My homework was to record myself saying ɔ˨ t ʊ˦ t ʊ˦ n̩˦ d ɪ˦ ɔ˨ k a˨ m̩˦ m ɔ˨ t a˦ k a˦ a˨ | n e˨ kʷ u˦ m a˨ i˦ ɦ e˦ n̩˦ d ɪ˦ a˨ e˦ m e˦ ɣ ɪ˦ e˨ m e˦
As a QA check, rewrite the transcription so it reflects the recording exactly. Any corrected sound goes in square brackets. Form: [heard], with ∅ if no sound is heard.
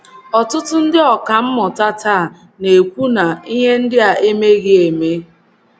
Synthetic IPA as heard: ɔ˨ t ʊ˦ t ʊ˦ n̩˦ d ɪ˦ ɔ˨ k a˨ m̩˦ m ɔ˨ t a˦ [t] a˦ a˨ | n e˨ kʷ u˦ [n] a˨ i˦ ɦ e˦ n̩˦ d ɪ˦ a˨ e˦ m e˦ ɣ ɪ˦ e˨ m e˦